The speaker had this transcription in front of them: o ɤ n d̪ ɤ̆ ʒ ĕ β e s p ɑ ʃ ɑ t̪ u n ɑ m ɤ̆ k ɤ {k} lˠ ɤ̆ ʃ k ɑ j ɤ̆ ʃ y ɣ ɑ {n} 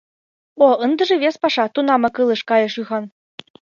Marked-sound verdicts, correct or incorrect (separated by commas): incorrect, correct